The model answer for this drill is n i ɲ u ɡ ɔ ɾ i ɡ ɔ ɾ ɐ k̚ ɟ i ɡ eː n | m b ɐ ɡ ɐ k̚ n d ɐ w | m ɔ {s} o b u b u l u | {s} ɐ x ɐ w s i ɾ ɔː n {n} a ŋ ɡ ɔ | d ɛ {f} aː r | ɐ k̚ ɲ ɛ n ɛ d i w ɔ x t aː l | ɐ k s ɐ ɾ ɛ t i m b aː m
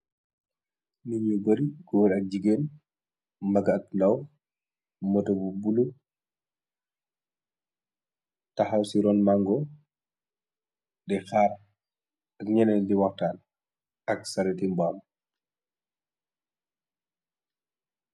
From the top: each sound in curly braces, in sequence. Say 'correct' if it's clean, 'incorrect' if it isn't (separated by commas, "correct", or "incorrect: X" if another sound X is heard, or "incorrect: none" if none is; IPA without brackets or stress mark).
incorrect: t, incorrect: t, incorrect: m, incorrect: x